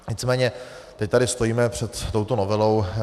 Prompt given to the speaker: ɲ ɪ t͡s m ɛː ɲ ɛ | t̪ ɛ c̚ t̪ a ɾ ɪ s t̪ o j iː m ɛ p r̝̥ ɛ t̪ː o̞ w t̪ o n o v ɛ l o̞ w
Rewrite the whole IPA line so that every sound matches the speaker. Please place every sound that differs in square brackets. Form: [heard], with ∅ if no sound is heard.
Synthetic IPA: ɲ ɪ t͡s m ɛː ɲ ɛ | t̪ ɛ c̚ t̪ a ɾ ɪ s t̪ o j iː m ɛ p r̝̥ ɛ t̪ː o̞ w t̪ o n o v ɛ l o̞ w